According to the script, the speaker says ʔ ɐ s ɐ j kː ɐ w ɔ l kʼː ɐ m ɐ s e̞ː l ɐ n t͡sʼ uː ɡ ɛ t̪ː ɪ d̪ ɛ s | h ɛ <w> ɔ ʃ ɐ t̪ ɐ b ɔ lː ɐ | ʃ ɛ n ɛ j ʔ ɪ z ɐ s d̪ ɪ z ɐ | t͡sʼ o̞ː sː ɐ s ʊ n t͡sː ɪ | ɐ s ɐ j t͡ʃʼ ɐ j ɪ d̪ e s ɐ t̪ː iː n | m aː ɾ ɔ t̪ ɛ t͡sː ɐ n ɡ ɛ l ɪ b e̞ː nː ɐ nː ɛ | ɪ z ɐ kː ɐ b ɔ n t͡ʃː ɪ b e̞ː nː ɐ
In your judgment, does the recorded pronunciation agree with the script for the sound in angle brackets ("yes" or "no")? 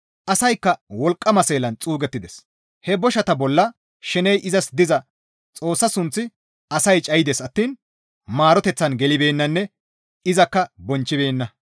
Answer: no